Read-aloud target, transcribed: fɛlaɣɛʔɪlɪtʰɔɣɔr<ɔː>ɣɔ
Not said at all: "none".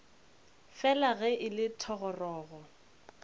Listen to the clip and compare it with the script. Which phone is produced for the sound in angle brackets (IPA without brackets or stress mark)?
ɔː